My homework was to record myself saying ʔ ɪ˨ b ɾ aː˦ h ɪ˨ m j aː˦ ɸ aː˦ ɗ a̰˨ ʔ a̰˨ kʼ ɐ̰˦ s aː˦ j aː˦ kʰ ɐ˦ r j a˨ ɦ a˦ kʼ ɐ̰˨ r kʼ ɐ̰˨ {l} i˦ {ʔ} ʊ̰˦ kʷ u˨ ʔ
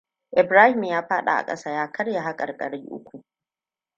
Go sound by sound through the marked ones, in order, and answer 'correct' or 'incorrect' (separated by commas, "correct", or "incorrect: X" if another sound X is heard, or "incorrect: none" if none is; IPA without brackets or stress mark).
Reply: incorrect: ɽ, correct